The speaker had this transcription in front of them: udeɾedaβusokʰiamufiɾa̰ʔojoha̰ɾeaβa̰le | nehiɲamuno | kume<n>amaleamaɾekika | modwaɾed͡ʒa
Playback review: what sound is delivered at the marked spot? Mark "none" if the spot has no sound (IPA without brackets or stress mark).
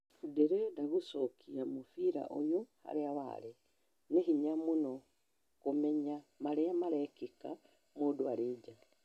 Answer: ɲ